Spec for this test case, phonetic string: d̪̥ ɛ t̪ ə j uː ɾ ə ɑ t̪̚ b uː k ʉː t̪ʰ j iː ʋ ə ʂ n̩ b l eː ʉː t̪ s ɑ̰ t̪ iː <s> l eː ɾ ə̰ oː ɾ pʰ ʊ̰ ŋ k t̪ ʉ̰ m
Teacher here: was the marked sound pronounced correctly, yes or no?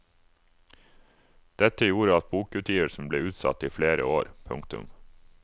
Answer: no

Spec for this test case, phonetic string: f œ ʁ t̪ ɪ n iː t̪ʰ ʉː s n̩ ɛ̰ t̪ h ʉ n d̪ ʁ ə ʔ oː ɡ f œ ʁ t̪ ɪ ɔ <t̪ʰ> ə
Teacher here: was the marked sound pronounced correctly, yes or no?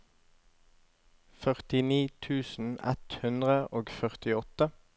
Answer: no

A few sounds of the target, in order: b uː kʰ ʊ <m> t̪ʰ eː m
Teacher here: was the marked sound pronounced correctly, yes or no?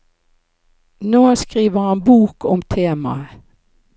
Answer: yes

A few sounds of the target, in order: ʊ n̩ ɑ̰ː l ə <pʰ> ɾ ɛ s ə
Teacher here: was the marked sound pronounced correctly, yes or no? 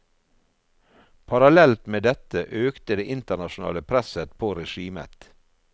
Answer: yes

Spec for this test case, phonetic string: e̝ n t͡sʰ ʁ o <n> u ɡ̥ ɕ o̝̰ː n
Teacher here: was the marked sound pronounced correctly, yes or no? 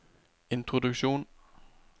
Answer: no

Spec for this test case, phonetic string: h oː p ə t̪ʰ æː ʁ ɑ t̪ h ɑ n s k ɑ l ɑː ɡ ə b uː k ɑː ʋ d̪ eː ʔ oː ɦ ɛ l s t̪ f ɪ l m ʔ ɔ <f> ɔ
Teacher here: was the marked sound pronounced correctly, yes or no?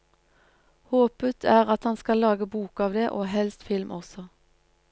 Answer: no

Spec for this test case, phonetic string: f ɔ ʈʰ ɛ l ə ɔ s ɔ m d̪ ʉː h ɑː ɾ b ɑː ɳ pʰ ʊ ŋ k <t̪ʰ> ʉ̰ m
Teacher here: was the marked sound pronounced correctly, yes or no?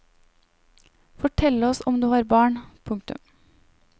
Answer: no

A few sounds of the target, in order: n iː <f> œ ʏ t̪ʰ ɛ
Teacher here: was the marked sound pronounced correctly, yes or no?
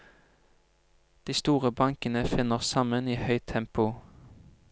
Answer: no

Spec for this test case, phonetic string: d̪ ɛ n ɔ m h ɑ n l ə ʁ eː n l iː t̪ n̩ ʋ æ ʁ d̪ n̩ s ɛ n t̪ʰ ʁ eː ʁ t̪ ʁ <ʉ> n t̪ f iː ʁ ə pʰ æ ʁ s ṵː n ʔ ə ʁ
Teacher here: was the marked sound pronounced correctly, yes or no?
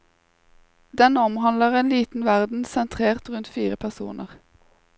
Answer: yes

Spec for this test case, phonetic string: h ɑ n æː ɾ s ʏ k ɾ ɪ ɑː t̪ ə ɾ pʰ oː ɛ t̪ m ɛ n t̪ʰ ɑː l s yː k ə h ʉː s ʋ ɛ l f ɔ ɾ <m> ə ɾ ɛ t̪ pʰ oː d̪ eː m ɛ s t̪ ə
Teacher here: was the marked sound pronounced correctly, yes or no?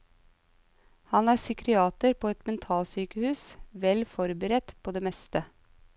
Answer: no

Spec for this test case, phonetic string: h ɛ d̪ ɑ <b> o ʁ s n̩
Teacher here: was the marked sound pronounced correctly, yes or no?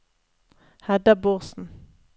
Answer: yes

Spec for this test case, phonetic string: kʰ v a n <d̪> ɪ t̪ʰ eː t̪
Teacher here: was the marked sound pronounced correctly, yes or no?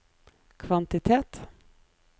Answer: no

